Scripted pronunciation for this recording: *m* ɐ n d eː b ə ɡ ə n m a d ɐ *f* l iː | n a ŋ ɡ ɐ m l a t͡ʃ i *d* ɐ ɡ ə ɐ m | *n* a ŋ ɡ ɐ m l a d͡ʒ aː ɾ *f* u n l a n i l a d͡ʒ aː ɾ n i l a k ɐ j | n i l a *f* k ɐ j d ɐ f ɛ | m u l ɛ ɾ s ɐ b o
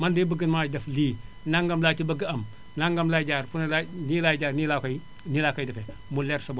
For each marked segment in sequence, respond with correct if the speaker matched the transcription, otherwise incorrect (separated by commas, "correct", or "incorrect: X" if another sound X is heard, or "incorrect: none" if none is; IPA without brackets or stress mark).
correct, correct, incorrect: b, correct, correct, incorrect: none